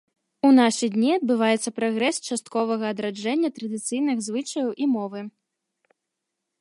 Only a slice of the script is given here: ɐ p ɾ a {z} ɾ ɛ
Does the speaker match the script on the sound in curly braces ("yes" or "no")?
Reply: no